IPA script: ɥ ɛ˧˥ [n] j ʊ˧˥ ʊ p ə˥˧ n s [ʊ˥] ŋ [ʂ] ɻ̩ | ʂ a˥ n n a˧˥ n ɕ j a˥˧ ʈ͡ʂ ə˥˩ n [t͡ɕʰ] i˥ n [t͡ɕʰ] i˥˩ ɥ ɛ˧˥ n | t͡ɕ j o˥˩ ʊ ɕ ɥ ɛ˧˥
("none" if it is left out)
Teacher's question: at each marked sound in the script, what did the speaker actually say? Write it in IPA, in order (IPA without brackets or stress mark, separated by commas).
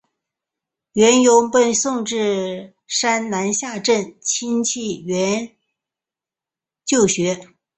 n, ʊ˥˧, ʈ͡ʂ, t͡ɕʰ, t͡ɕʰ